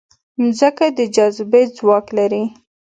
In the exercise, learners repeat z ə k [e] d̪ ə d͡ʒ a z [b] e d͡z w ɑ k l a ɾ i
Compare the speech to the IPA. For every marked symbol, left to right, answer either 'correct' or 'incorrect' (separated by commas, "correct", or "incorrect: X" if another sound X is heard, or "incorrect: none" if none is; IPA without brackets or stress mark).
incorrect: a, correct